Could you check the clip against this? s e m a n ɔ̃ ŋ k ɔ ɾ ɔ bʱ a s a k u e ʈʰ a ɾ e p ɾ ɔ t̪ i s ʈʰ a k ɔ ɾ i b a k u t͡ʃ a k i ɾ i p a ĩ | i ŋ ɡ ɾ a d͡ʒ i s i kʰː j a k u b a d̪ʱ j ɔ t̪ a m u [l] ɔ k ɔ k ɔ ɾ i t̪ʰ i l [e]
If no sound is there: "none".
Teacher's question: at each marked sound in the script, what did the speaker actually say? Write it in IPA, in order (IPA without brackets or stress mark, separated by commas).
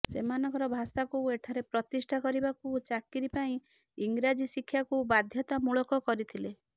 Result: ɭ, e